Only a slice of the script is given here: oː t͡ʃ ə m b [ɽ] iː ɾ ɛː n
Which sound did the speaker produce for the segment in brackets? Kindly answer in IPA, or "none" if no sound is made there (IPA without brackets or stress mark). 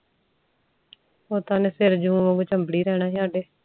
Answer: ɽ